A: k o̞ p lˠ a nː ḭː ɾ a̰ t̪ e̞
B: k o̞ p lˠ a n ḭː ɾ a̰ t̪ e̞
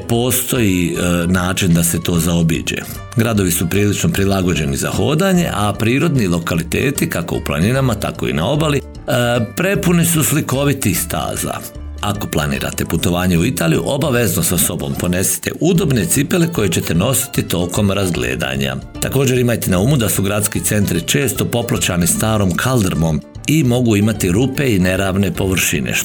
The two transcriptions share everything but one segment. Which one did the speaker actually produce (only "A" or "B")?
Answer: B